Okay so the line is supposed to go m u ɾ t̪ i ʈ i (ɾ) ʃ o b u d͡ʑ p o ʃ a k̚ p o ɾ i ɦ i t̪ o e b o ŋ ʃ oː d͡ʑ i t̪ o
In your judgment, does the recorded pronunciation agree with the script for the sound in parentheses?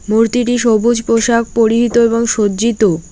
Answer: no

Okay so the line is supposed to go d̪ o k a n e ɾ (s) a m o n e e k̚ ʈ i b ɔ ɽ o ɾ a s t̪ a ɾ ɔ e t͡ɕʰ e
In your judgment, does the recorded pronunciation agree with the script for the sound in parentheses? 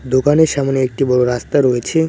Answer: no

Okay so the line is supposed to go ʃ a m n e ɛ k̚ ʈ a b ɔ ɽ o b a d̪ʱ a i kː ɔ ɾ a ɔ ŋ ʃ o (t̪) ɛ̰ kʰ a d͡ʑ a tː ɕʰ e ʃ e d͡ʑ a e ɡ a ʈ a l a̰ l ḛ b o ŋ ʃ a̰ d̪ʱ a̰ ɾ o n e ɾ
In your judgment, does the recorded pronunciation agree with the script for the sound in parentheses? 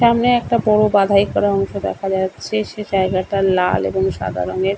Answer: no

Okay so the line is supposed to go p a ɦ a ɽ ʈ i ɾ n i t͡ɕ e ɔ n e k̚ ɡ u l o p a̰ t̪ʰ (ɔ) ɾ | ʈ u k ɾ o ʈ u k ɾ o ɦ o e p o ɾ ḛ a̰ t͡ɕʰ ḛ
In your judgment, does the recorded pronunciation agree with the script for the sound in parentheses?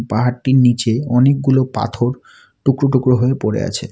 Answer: no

